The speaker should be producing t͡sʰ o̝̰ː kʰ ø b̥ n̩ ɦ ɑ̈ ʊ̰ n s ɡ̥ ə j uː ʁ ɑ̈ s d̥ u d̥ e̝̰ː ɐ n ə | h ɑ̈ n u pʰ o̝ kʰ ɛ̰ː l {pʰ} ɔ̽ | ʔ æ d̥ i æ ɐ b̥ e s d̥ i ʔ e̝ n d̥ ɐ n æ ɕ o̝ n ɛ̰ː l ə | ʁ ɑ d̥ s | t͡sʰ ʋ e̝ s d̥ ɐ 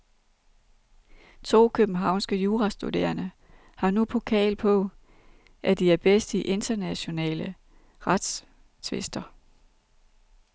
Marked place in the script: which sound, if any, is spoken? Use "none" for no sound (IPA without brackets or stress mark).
pʰ